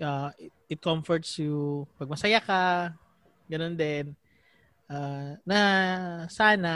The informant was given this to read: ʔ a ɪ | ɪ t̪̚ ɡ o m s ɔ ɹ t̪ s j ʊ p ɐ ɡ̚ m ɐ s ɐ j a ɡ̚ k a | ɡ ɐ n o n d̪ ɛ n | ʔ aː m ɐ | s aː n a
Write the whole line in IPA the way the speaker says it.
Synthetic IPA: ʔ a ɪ | ɪ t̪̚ k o m f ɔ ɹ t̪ s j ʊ p ɐ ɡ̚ m ɐ s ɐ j a k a | ɡ ɐ n o n d̪ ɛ n | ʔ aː n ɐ | s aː n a